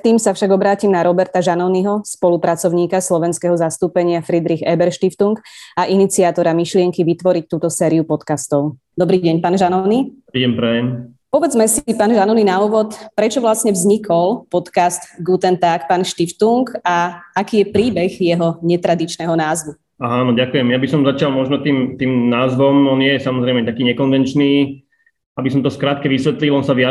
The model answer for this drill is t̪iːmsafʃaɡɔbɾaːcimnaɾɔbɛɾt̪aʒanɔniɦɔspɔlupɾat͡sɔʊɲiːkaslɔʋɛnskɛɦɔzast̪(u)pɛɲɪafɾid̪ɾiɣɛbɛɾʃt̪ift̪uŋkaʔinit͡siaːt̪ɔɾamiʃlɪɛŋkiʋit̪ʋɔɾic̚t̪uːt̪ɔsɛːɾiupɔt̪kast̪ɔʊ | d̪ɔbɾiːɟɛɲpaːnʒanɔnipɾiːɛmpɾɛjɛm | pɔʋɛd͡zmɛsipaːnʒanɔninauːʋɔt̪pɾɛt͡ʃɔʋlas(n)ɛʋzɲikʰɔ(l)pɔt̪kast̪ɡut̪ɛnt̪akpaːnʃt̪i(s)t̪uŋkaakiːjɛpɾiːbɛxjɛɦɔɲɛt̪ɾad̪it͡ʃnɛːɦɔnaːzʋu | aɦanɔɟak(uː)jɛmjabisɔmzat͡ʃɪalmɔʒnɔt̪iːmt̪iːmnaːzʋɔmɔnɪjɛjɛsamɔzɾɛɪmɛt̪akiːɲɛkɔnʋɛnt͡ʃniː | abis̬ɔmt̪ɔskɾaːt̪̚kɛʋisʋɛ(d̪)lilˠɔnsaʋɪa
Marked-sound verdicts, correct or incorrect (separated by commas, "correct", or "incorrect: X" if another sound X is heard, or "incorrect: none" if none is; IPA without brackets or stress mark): incorrect: uː, incorrect: ɲ, correct, incorrect: f, incorrect: u, incorrect: t̪